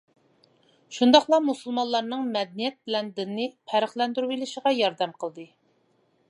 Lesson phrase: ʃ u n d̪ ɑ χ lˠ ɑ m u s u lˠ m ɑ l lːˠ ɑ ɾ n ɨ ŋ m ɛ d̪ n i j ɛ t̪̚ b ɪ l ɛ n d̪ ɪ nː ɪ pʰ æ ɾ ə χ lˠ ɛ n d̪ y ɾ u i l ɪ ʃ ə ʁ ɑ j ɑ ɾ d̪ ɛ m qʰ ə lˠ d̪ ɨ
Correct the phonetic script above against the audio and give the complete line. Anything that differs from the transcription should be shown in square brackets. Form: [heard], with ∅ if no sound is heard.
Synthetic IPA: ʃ u n d̪ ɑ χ lˠ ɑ m u s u lˠ m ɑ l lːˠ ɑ ɾ n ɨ ŋ m ɛ d̪ n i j ɛ t̪̚ b ɪ l ɛ n d̪ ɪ nː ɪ pʰ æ ɾ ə χ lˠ ɛ n d̪ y ɾ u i l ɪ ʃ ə ʁ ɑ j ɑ ɾ d̪ ɛ m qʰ ə lˠ d̪ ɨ